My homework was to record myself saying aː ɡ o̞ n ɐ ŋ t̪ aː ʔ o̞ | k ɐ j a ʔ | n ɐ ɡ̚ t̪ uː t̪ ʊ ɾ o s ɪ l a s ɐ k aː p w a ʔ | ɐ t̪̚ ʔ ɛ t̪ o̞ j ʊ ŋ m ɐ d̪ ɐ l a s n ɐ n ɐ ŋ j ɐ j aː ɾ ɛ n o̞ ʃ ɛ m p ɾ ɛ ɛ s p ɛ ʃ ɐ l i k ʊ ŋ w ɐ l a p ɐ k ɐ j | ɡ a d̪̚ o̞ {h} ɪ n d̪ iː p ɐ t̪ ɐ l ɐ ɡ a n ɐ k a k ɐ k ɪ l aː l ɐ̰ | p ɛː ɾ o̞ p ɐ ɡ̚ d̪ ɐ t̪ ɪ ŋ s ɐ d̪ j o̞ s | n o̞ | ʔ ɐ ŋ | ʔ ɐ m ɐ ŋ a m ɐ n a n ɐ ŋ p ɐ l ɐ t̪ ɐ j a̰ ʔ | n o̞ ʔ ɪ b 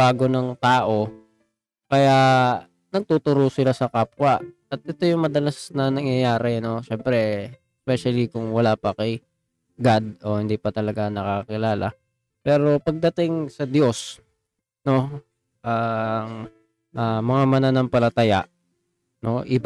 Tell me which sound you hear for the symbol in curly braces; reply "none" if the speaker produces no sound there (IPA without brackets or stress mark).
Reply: h